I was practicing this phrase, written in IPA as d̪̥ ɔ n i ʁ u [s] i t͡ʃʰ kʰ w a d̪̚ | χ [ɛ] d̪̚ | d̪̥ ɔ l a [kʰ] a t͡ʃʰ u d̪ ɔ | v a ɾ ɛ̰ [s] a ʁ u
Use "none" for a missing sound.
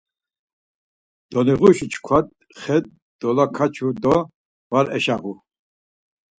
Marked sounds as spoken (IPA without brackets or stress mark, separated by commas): ʃ, ɛ, kʰ, ʃ